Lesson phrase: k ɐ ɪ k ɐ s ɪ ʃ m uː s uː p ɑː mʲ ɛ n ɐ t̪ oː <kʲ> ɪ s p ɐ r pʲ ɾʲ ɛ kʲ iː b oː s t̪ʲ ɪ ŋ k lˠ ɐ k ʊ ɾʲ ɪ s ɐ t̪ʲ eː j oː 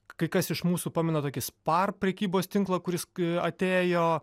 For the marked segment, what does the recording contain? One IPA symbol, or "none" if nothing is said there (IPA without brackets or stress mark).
kʲ